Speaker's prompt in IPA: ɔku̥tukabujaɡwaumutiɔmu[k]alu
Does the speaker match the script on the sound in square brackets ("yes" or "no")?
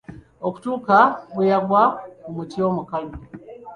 yes